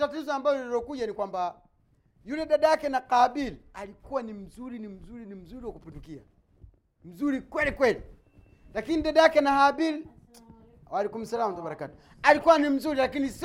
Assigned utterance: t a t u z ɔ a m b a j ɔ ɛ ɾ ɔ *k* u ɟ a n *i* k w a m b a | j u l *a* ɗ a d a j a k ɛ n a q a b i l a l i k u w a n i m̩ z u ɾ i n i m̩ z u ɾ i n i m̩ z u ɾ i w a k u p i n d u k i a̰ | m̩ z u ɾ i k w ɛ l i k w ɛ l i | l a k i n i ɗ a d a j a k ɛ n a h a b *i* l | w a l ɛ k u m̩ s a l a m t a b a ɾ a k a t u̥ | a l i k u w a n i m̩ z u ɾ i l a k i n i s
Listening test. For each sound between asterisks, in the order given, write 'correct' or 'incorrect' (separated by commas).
correct, correct, incorrect, correct